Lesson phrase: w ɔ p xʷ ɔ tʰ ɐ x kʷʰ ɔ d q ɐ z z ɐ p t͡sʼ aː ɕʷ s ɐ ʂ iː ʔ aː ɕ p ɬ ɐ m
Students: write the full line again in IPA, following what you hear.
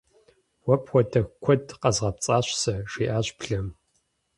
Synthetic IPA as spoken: w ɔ p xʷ ɔ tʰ ɐ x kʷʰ ɔ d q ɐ z ʁ ɐ p t͡sʼ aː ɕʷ s ɐ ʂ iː ʔ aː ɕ p ɬ ɐ m